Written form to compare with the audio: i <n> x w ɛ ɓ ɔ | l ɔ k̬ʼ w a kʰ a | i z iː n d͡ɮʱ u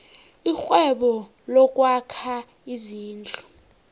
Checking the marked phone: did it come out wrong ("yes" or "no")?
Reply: yes